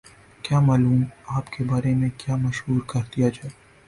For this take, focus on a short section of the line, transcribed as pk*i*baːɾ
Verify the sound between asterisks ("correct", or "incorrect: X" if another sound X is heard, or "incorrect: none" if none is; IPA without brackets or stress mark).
incorrect: e